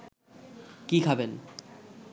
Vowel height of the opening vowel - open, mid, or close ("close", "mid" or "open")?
close